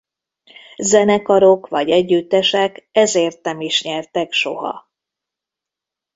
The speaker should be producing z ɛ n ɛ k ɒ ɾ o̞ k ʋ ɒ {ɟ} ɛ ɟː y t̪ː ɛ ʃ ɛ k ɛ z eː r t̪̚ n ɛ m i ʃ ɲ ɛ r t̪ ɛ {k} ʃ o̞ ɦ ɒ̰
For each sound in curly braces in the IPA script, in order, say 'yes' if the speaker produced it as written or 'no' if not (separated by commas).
yes, yes